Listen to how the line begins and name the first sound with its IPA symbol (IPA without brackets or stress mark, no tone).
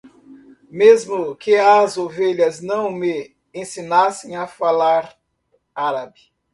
m